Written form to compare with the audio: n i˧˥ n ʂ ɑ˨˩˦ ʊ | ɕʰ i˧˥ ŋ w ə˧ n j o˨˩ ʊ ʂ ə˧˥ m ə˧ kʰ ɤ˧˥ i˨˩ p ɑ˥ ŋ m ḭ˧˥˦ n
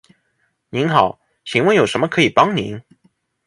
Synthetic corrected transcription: n i˧˥ n x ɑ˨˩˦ ʊ | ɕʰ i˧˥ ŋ w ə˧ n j o˨˩ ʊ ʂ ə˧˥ m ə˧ kʰ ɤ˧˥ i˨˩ p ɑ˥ ŋ n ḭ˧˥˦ n